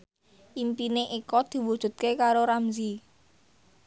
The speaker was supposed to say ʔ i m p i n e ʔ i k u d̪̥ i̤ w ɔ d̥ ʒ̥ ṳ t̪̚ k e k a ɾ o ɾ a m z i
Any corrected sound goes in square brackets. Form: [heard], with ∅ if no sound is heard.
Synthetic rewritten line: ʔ i m p i n e ʔ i k [ɔ] d̪̥ i̤ w [u] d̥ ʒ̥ ṳ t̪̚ k e k a ɾ o ɾ a m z i